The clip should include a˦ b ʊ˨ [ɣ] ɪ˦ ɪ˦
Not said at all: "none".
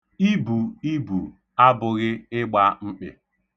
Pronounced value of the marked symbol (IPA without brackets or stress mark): ɣ